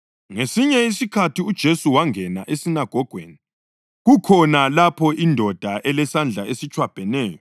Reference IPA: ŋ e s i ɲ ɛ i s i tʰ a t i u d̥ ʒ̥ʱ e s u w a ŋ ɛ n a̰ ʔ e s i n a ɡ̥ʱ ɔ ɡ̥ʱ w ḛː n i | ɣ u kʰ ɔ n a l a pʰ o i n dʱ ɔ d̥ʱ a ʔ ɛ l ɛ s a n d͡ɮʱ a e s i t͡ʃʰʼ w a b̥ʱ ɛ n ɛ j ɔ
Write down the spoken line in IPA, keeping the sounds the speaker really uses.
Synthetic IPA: ŋ e s i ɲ ɛ i s i kʰ a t i u d̥ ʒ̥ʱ e s u w a ŋ ɛ n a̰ ʔ e s i n a ɡ̥ʱ ɔ ɡ̥ʱ w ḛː n i | ɣ u kʰ ɔ n a l a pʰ ɔ i n dʱ ɔ d̥ʱ a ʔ ɛ l ɛ s a n d͡ɮʱ a e s i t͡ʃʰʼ w a b̥ʱ ɛ n ɛː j ɔ